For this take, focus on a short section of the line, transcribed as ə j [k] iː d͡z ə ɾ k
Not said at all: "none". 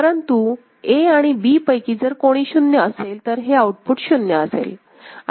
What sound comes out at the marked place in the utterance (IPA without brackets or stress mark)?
k